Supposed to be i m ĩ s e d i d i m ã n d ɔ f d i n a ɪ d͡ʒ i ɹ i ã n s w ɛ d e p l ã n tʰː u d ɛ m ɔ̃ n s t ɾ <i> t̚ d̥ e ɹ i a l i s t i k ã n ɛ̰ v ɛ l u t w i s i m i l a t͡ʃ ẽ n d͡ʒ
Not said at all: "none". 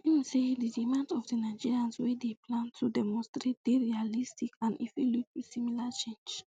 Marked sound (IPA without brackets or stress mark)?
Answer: e